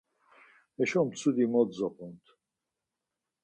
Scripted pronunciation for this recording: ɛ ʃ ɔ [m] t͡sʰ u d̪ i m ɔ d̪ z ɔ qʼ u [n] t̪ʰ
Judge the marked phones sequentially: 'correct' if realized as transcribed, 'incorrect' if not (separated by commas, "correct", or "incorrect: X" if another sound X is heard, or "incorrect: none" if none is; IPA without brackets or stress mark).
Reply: correct, correct